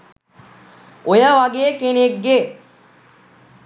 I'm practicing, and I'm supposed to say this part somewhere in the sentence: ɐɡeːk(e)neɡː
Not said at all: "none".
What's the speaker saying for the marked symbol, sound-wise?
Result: e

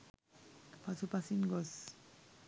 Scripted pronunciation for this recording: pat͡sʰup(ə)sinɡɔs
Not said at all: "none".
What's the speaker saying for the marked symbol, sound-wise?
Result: a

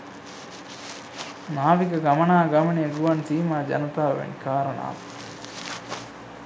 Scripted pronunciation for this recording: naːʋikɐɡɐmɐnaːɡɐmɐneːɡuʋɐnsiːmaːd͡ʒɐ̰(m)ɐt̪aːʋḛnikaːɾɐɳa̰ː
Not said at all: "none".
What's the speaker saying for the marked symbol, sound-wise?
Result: n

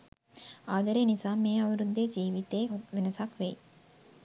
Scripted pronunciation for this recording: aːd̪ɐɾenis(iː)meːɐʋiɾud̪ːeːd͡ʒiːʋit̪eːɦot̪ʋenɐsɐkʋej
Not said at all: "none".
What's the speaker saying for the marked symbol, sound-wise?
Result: aː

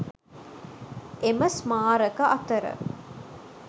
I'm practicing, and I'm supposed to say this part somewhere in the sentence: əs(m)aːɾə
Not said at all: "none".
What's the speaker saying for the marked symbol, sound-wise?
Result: m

